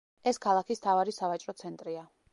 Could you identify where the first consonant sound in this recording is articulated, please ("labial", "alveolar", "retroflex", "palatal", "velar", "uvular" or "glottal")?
alveolar